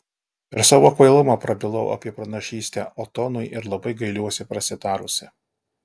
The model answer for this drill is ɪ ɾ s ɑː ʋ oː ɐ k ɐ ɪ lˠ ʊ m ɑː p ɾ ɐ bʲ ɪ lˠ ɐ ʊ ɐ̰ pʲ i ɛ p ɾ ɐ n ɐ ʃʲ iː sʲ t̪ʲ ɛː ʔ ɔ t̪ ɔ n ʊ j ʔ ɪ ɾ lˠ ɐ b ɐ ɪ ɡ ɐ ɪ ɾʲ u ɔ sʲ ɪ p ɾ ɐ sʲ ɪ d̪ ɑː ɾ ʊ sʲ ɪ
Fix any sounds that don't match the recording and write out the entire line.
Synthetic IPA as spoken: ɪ ɾ s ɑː ʋ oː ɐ k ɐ ɪ lˠ ʊ m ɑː p ɾ ɐ bʲ ɪ lˠ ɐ ʊ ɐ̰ pʲ i ɛ p ɾ ɐ n ɐ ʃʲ iː sʲ t̪ʲ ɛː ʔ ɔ t̪ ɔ n ʊ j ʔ ɪ ɾ lˠ ɐ b ɐ ɪ ɡ ɐ ɪ lʲ u ɔ sʲ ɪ p ɾ ɐ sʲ ɪ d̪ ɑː ɾ ʊ sʲ ɪ